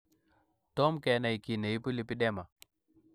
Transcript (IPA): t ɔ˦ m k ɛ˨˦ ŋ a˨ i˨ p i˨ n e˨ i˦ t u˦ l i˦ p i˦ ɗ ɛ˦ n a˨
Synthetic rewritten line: t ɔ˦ m k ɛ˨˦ n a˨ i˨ k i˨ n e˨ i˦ p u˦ l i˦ p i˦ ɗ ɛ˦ m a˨